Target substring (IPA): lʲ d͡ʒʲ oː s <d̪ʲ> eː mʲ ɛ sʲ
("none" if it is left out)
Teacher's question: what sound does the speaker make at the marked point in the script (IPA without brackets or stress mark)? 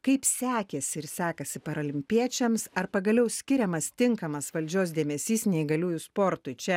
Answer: d̪ʲ